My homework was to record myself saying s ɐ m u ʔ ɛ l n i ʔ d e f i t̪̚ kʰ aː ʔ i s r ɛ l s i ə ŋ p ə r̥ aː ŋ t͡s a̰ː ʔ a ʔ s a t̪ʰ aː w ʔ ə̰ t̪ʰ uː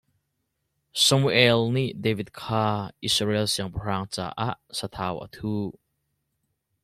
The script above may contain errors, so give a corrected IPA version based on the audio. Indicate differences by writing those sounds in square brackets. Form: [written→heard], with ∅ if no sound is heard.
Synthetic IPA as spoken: s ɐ m u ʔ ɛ l n i ʔ d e [f→v] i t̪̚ kʰ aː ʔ i s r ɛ l s i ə ŋ p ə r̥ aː ŋ t͡s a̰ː ʔ a ʔ s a t̪ʰ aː w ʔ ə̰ t̪ʰ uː